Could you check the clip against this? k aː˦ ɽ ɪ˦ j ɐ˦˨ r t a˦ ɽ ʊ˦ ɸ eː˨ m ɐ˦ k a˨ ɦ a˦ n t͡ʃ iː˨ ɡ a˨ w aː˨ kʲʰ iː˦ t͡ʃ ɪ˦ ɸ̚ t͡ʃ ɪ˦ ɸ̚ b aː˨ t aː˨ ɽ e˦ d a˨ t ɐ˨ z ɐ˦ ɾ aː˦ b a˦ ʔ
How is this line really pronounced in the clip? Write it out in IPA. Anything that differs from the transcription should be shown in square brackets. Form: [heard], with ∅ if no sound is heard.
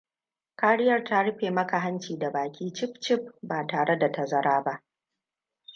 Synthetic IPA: k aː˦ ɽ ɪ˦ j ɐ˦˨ r t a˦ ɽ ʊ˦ ɸ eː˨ m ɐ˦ k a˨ ɦ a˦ n t͡ʃ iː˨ [d] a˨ [b] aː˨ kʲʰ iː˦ t͡ʃ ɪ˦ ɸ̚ t͡ʃ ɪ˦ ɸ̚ b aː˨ t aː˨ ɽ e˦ d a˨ t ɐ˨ z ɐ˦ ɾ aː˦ b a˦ ʔ